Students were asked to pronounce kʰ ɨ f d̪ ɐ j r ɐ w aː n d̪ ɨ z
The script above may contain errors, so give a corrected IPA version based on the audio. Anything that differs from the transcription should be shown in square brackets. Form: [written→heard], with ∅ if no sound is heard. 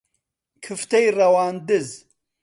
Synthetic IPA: kʰ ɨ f [d̪→t̪] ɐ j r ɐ w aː n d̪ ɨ z